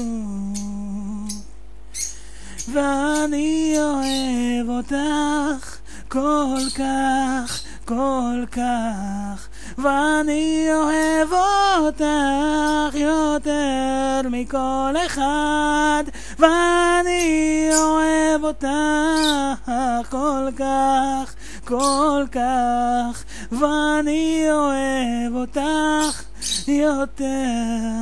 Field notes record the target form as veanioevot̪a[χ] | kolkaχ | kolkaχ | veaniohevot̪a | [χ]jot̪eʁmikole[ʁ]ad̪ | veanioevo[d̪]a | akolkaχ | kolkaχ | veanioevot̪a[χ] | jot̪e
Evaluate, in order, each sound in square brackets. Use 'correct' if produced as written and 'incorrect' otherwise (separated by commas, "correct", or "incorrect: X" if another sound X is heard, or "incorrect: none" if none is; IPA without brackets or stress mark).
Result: correct, correct, incorrect: χ, incorrect: t̪, correct